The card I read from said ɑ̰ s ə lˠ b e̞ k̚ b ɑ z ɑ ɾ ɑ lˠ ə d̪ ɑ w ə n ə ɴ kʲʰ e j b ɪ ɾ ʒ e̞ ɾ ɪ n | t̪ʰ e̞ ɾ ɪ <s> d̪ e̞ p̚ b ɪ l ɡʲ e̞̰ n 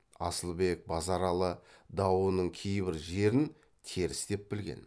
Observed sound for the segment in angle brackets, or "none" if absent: s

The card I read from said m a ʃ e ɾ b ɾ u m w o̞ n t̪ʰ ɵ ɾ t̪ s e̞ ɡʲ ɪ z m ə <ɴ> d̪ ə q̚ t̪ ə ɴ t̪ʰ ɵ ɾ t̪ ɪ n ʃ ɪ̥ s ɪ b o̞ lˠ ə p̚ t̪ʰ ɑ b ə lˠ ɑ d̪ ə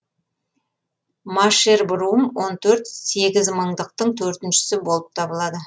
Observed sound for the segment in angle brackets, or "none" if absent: ɴ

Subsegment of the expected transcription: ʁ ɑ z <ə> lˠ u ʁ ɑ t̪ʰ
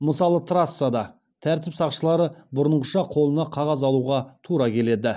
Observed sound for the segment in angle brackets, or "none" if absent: ɑ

